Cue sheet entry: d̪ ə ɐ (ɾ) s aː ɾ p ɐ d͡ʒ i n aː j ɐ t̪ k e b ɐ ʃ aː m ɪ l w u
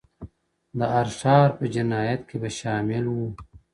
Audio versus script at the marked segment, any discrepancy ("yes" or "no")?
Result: no